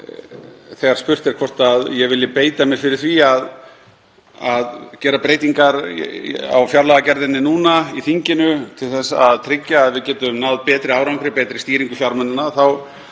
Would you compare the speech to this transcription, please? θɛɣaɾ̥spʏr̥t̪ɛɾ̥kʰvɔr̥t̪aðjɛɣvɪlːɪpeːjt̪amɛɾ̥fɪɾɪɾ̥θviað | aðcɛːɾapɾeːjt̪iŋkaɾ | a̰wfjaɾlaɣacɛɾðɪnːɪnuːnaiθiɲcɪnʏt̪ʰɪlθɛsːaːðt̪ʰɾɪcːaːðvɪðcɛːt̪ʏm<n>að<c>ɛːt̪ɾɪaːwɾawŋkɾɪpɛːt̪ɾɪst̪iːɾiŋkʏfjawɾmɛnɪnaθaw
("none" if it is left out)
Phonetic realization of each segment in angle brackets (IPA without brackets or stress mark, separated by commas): n, p